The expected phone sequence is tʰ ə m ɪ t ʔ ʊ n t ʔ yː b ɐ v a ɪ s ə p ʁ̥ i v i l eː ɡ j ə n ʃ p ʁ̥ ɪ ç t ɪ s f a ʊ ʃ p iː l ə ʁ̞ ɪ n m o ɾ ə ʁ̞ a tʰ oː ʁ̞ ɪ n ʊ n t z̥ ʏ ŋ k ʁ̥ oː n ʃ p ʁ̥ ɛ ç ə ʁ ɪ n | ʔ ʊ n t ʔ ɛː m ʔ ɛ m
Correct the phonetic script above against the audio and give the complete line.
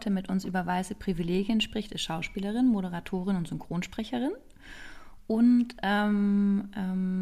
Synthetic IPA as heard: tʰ ə m ɪ t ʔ ʊ n s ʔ yː b ɐ v a ɪ s ə p ʁ̥ i v i l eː ɡ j ə n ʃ p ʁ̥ ɪ ç t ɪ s ʃ a ʊ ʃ p iː l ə ʁ̞ ɪ n m o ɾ ə ʁ̞ a tʰ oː ʁ̞ ɪ n ʊ n t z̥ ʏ ŋ k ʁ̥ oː n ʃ p ʁ̥ ɛ ç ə ʁ ɪ n | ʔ ʊ n t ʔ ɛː m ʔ ɛ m